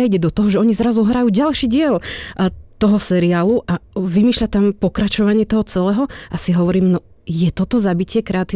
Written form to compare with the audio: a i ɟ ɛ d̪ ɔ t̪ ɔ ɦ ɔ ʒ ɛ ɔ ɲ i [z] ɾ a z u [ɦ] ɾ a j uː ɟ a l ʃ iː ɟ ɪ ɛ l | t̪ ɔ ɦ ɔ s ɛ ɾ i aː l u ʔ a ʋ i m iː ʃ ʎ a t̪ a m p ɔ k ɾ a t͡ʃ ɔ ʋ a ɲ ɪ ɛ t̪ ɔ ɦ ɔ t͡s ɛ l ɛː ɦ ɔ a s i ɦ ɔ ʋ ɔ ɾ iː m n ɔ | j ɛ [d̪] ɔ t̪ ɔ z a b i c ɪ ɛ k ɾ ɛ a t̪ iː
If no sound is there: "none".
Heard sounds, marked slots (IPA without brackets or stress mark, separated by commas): z, ɦ, t̪